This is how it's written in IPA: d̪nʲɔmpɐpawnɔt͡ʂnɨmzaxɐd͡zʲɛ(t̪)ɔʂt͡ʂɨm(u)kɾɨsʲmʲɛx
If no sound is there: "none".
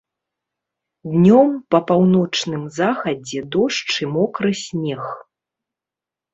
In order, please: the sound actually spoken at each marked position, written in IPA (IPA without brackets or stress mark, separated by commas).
d̪, ɔ